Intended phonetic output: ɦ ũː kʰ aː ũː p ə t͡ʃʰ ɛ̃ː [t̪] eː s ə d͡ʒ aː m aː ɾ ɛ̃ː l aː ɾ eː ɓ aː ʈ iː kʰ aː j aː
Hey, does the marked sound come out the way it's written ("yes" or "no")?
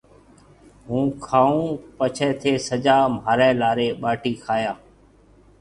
no